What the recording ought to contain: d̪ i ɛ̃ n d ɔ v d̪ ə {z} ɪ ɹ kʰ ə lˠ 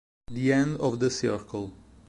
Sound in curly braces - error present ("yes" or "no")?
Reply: yes